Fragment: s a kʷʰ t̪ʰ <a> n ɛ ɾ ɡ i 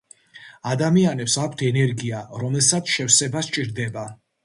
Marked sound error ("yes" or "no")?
yes